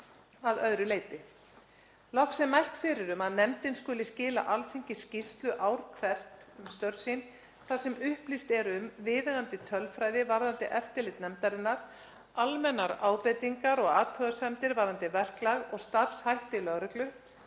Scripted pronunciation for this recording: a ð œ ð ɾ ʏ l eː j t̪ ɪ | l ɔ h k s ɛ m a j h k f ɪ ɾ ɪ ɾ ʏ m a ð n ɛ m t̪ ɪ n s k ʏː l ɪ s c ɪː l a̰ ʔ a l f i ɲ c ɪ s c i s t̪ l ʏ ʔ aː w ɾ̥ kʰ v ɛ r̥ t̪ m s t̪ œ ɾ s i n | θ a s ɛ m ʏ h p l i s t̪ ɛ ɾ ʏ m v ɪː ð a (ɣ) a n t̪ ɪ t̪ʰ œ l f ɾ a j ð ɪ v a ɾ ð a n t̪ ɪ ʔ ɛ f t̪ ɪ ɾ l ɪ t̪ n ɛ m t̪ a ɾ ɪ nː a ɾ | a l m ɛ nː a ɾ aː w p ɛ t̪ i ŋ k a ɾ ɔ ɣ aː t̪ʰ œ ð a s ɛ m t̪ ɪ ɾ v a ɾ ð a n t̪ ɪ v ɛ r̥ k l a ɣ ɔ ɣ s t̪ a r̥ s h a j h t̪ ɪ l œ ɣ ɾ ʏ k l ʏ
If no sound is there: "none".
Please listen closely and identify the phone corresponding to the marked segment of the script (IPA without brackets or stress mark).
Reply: ɣ